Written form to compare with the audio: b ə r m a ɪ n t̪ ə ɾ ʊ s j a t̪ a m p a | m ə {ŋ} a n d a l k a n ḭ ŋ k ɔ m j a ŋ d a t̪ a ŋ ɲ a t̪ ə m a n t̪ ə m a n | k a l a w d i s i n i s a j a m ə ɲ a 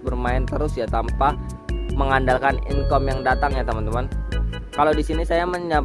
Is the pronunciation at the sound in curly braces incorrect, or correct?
correct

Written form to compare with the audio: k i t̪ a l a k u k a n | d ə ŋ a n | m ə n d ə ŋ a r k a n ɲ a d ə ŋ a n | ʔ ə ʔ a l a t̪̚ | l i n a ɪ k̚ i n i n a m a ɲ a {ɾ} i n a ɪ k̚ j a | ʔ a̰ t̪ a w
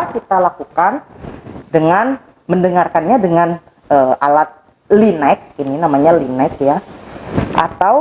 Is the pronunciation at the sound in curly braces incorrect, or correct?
incorrect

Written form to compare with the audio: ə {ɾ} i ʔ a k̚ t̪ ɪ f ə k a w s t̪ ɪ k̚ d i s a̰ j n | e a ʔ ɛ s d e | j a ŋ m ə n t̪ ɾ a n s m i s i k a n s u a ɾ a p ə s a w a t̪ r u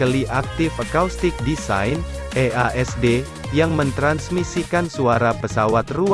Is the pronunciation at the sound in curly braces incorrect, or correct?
incorrect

